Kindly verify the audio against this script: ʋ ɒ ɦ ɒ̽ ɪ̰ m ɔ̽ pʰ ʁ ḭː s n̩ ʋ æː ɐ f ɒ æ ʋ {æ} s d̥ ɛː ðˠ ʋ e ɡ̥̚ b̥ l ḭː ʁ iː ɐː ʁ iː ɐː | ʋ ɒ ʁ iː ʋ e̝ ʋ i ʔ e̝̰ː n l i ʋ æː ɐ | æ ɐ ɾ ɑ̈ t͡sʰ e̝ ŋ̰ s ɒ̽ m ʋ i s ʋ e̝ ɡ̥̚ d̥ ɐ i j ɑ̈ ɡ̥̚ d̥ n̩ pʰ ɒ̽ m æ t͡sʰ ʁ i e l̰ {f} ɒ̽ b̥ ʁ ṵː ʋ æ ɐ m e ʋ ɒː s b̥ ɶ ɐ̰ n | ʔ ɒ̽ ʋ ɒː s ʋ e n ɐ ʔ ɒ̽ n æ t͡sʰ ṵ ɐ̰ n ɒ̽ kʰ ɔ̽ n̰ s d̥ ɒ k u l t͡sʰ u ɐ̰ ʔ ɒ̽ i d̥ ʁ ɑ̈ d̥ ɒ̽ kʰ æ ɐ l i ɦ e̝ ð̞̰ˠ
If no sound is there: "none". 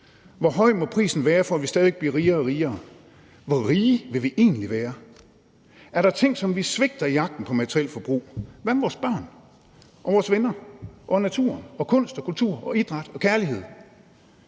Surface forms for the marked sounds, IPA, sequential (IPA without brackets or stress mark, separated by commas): i, f